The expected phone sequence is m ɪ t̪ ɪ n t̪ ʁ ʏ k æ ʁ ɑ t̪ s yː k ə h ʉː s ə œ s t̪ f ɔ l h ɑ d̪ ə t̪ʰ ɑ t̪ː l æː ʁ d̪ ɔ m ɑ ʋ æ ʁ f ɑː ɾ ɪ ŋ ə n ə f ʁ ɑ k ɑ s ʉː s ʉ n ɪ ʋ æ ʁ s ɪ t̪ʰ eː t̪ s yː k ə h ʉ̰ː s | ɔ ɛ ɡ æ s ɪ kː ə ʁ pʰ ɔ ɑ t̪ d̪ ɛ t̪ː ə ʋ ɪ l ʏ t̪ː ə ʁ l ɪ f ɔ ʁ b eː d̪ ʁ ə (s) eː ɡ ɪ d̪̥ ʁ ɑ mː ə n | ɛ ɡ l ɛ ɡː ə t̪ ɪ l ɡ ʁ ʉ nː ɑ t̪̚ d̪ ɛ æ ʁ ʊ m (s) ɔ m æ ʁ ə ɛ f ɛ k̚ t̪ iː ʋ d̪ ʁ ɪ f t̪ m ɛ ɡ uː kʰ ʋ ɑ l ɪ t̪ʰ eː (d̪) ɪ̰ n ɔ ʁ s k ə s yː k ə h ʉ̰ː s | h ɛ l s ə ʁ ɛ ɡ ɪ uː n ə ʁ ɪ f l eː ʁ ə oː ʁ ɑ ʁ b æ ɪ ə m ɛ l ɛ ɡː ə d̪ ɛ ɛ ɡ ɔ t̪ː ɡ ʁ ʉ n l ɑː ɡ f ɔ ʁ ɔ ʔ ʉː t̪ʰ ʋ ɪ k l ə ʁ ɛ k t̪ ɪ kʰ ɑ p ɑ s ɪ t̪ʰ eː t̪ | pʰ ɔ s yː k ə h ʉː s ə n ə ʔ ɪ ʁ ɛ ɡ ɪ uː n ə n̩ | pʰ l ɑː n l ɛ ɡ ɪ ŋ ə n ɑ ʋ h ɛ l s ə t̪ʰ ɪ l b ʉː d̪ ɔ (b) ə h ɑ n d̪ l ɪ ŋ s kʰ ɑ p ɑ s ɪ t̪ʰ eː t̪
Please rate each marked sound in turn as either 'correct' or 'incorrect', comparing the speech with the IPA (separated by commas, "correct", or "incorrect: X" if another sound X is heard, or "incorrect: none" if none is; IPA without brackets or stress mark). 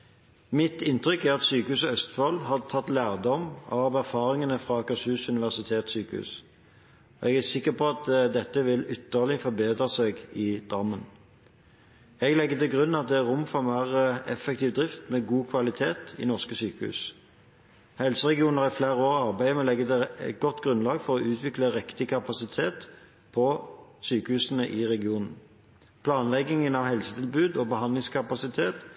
correct, incorrect: f, incorrect: t̪, correct